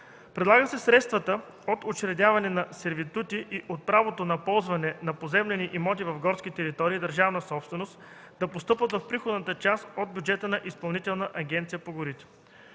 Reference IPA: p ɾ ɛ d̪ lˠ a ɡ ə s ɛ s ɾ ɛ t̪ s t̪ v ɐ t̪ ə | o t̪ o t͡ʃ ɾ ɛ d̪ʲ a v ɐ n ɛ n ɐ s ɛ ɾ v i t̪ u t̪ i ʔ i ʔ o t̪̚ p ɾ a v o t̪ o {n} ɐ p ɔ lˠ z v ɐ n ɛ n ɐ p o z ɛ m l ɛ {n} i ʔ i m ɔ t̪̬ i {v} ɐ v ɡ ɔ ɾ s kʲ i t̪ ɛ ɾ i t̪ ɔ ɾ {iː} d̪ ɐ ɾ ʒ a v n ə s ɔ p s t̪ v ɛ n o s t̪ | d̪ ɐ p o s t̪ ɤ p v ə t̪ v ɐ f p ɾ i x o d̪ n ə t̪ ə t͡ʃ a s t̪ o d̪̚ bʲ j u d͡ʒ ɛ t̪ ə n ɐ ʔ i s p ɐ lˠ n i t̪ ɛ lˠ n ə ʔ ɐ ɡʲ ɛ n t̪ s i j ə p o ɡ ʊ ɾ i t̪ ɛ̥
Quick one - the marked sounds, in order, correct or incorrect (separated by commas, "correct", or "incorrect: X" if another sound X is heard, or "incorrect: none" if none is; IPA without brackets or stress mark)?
correct, correct, correct, correct